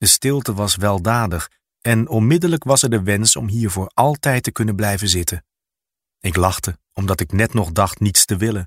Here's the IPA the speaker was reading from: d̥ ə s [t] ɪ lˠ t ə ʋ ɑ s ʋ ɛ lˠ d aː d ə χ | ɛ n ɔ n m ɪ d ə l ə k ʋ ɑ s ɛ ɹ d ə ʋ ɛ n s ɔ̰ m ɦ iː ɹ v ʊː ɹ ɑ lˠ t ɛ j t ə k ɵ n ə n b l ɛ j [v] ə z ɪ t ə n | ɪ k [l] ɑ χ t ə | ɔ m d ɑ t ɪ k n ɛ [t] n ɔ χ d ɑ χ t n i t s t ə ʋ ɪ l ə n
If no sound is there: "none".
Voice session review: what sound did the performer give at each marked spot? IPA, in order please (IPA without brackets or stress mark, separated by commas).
t, v, l, t